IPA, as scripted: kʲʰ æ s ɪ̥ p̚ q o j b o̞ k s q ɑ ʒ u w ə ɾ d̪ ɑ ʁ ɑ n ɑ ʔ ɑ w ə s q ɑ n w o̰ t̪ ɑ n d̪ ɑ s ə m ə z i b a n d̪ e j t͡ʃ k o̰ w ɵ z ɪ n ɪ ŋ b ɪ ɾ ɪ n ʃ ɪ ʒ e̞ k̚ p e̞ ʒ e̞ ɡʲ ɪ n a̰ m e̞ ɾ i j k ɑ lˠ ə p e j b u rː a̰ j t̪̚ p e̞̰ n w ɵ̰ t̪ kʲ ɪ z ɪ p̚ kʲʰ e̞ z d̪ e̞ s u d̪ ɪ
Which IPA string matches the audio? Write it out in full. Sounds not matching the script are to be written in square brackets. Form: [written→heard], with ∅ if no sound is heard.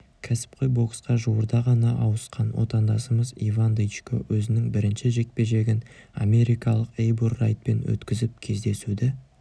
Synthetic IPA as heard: kʲʰ æ s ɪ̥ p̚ q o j b o̞ k s q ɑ ʒ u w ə ɾ d̪ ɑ ʁ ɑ n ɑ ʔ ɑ w ə s q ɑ n w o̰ t̪ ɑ n d̪ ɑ s ə m ə z i [b→v] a n d̪ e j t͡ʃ k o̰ w ɵ z ɪ n ɪ ŋ b ɪ ɾ ɪ n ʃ ɪ ʒ e̞ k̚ p e̞ ʒ e̞ ɡʲ ɪ n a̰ m e̞ ɾ i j k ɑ lˠ ə [p→q] e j b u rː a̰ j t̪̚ p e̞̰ n w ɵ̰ t̪ kʲ ɪ z ɪ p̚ kʲʰ e̞ z d̪ e̞ s u d̪ ɪ